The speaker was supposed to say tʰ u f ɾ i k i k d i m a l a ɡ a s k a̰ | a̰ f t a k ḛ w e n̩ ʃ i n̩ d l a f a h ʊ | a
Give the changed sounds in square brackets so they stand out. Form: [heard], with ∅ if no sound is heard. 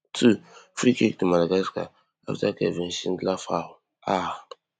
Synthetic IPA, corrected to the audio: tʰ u f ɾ i k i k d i m a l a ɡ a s k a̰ | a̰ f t a k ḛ [v] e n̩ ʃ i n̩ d l a f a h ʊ | a